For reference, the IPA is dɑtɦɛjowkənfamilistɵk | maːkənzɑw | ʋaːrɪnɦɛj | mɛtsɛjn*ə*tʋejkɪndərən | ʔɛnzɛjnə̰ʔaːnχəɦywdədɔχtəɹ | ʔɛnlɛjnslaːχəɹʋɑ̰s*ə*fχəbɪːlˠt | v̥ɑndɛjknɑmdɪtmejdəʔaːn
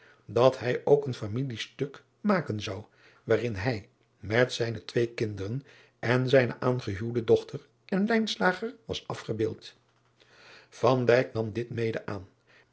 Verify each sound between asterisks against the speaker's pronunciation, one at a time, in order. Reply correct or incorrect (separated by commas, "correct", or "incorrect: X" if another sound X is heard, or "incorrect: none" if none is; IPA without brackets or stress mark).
correct, incorrect: ɑ